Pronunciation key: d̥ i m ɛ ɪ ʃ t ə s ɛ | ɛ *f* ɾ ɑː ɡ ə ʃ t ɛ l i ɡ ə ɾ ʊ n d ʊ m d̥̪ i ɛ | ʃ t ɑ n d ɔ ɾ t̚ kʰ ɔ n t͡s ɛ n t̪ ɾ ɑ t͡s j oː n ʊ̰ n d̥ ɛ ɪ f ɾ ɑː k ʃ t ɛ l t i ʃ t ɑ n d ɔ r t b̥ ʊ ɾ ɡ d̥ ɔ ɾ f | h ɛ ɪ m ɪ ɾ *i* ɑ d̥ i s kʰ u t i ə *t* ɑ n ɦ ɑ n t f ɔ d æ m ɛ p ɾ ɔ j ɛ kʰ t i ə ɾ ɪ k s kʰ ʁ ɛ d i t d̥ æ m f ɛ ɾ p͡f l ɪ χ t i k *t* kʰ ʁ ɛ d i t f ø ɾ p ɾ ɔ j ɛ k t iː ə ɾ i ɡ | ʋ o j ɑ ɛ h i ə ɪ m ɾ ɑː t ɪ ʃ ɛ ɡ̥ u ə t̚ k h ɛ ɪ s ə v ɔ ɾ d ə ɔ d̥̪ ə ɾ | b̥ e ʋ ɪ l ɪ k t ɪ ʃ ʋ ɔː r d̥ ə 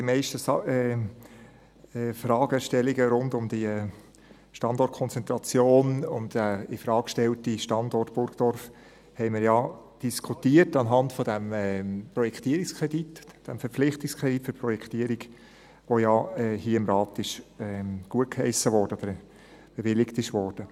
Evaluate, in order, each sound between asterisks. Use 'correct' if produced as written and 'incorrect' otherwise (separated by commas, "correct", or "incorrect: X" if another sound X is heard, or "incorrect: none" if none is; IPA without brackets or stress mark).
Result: correct, incorrect: j, correct, incorrect: s